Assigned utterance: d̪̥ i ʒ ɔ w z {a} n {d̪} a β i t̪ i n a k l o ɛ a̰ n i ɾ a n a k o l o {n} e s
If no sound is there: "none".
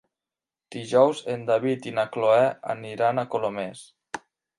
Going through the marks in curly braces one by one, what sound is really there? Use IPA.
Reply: e, d̪, m

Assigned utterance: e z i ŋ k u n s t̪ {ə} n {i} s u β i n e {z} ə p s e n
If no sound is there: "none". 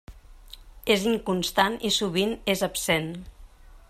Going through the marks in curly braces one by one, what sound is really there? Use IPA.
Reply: a, i, z

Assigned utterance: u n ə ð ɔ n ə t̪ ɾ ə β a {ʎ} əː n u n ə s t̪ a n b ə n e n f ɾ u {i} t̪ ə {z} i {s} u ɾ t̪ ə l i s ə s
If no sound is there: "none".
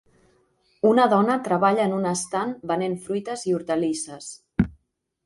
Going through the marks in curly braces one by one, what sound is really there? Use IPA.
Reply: ʎ, j, z, none

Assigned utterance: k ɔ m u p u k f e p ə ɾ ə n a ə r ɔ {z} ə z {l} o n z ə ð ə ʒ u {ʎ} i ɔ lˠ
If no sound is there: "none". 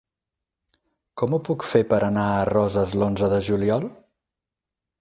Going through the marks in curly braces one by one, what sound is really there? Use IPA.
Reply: z, l, l

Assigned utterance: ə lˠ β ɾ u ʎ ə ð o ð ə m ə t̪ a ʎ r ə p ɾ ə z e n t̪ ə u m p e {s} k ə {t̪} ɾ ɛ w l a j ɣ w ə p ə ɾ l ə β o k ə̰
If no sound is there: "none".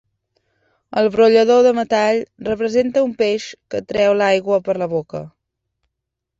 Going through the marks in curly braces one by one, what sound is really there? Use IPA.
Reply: ʃ, t̪

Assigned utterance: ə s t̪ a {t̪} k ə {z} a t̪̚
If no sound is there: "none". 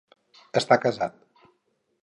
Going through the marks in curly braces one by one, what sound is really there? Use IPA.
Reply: none, z

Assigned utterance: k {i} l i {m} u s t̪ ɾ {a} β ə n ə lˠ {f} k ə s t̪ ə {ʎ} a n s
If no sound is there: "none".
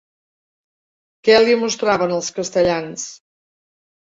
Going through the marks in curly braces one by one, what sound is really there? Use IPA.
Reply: ɛ, m, a, s, ʎ

